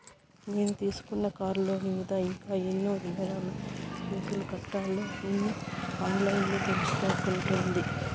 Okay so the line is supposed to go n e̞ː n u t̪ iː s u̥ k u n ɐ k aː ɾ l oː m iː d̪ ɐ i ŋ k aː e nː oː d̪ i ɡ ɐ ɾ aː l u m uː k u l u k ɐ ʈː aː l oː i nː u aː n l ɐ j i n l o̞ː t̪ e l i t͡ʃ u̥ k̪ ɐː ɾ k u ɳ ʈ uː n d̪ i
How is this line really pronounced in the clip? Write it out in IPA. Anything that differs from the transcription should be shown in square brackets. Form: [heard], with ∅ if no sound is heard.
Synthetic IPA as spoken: n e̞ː n u t̪ iː s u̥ k u [nː] ɐ k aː ɾ l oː m iː d̪ ɐ i ŋ k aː e nː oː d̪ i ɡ ɐ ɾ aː l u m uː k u l u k ɐ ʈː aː l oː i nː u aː n l ɐ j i n l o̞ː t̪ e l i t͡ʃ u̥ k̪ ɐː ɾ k u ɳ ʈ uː n d̪ i